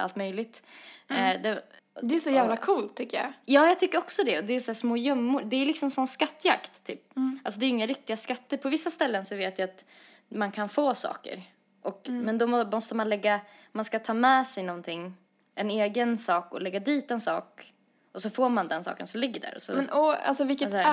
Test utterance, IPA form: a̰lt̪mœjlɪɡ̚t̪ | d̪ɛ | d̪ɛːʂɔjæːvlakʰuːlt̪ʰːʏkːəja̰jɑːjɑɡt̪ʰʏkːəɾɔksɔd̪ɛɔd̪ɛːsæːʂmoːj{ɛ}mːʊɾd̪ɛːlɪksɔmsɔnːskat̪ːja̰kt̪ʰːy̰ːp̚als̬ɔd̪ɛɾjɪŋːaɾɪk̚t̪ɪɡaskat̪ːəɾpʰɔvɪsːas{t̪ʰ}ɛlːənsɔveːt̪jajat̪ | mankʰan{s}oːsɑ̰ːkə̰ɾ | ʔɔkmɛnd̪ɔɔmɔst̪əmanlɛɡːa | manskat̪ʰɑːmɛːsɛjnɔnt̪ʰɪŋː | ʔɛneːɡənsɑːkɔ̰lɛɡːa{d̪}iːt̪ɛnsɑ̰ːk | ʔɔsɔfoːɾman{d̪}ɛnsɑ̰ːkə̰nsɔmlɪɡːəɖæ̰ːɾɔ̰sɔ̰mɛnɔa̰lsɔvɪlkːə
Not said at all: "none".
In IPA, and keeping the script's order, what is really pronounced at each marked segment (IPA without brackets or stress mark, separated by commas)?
œ, t̪, f, d̪, d̪